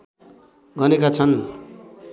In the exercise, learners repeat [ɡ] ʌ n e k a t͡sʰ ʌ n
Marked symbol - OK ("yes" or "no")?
yes